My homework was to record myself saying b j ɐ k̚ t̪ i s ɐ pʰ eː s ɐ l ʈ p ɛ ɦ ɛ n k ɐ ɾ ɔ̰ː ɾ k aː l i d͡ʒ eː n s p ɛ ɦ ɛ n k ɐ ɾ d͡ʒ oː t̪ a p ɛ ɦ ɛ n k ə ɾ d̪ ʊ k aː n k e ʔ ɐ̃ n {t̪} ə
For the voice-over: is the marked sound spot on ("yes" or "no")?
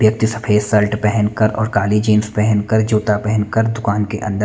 no